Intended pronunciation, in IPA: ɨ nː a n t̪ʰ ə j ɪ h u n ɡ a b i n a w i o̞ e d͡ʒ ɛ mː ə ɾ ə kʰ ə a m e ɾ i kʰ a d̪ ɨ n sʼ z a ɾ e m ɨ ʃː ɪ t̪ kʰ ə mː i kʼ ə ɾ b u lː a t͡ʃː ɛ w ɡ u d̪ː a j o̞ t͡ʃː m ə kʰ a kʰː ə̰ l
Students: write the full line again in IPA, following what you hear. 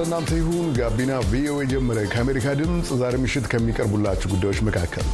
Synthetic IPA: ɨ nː a n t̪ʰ ə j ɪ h u n ɡ a b i n a v i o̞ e d͡ʒ ɛ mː ə ɾ ə kʰ ə a m e ɾ i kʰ a d̪ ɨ m sʼ z a ɾ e m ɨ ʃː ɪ t̪ kʰ ə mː i kʼ ə ɾ b u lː a t͡ʃː ɛ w ɡ u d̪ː a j o̞ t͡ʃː m ə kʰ a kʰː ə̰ l